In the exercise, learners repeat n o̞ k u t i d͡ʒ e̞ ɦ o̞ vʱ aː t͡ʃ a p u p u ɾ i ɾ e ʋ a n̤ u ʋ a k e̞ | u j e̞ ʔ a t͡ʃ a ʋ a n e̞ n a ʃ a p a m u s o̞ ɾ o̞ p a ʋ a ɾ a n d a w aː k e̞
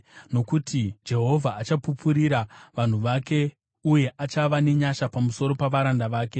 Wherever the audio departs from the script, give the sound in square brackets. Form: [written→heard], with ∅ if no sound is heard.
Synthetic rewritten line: n o̞ k u t i d͡ʒ e̞ ɦ o̞ vʱ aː t͡ʃ a p u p u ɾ i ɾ [e→a] ʋ a n̤ u ʋ a k e̞ | u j e̞ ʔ a t͡ʃ a ʋ a n e̞ [n→ɲ] a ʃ a p a m u s o̞ ɾ o̞ p a ʋ a ɾ a n d a [w→ʋ] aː k e̞